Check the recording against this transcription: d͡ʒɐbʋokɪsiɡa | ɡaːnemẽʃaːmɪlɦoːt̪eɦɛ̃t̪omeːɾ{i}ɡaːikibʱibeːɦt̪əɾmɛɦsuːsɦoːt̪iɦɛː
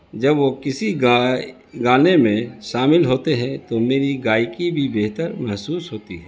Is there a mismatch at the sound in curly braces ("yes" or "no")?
no